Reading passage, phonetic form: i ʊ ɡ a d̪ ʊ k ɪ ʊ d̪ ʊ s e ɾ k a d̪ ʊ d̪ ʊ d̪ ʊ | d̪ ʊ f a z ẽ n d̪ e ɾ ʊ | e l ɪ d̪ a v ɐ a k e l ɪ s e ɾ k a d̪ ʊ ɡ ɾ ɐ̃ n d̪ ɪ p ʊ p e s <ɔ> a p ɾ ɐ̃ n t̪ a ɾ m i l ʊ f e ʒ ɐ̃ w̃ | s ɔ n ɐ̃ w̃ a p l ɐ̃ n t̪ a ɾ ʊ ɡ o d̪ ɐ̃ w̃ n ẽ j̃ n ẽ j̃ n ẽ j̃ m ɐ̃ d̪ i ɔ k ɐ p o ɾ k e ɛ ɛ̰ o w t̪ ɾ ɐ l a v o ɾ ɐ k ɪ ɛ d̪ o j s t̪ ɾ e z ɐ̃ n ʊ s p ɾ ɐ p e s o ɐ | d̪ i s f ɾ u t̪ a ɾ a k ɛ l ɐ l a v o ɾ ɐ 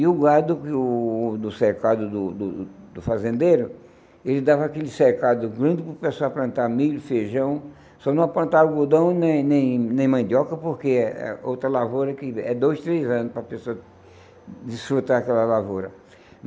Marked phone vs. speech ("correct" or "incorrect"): incorrect